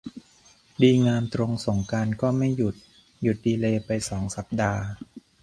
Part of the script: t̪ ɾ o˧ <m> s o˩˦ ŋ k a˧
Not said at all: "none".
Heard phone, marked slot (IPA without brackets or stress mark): ŋ